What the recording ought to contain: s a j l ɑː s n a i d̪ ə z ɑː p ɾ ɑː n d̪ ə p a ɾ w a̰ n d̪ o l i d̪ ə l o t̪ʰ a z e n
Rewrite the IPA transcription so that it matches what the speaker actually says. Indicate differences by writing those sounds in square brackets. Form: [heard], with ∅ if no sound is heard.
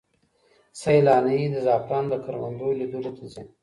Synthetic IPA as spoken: s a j l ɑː [∅] n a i d̪ ə z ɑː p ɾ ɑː n d̪ ə [k] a ɾ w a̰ n d̪ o l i d̪ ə l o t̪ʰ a z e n